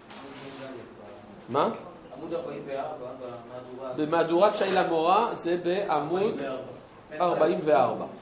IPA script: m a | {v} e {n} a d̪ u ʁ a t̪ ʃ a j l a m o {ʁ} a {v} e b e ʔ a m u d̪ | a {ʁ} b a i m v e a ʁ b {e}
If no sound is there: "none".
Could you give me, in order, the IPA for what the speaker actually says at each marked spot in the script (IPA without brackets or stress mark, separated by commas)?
b, m, ʁ, z, ʁ, a